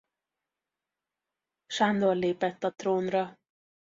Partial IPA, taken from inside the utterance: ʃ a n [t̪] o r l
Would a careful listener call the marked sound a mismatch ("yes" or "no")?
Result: yes